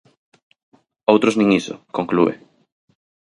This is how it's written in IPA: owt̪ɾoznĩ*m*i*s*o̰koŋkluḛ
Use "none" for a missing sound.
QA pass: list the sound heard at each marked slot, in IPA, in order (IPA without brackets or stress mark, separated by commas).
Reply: ŋ, s